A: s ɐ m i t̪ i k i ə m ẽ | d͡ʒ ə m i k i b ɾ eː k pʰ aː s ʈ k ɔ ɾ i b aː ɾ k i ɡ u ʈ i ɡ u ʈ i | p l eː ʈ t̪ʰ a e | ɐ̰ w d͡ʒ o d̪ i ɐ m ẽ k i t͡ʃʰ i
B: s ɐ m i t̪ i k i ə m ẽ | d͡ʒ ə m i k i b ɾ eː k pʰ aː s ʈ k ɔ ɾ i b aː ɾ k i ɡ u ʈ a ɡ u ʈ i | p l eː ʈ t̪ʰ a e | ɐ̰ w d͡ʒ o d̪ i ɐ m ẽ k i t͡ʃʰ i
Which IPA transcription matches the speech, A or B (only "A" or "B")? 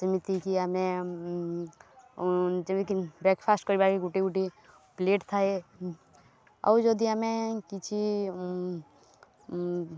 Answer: A